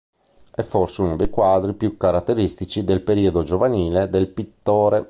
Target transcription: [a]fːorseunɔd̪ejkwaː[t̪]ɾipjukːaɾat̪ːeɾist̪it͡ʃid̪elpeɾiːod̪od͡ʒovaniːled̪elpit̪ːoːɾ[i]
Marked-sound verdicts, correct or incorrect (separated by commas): incorrect, incorrect, incorrect